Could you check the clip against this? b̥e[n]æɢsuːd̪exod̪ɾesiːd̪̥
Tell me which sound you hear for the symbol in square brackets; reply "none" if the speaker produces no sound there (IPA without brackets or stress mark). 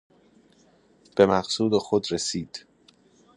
m